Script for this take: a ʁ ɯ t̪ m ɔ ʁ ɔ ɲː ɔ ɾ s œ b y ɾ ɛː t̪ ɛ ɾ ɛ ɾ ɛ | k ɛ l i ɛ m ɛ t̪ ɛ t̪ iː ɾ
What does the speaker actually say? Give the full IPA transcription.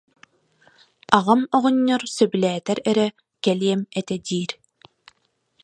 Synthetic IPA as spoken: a ʁ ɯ m ɔ ʁ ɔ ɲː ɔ ɾ s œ b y l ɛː t̪ ɛ ɾ ɛ ɾ ɛ | k ɛ l i ɛ m ɛ t̪ ɛ d̪ iː ɾ